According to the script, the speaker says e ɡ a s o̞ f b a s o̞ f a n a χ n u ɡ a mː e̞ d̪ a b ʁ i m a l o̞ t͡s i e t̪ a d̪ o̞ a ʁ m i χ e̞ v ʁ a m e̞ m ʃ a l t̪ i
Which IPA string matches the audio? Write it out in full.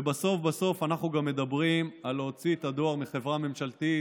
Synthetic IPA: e b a s o̞ f b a s o̞ f a n a χ n u ɡ a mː e̞ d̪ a b ʁ i m a l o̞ t͡s i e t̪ a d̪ o̞ a ʁ m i χ e̞ v ʁ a m e̞ m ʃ a l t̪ i

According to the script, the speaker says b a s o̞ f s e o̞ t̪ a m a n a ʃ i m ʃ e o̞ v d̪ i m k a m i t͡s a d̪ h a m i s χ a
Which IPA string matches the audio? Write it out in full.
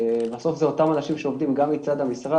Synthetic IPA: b a s o̞ f z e o̞ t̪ a m a n a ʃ i m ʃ e o̞ v d̪ i m ɡ a m i t͡s a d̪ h a m i s ʁ a

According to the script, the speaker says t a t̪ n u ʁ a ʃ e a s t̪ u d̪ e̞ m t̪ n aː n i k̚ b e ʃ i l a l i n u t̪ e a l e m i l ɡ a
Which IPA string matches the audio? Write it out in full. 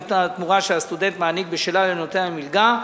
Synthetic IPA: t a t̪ m u ʁ a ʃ e a s t̪ u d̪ e̞ n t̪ m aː n i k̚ b e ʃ e l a l e n o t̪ e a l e m i l ɡ a

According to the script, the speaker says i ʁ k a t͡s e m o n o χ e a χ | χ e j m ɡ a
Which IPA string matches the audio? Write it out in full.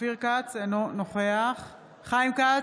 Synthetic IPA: i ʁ k a t͡s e n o n o χ e a χ | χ a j m k a

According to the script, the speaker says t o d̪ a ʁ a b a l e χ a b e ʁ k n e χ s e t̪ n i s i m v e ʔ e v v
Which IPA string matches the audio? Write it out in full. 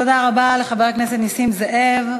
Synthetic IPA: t o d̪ a ʁ a b a l e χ a b e ʁ k n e s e t̪ n i s i m z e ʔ e v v

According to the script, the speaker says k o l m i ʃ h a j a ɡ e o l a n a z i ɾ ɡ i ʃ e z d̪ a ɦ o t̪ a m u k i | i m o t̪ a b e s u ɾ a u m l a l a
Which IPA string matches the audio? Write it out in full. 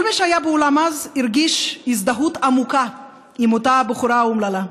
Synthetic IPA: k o l m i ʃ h a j a b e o l a m a z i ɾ ɡ i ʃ i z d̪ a ɦ u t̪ a m u k a | i m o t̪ a b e χ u ɾ a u m l a l a

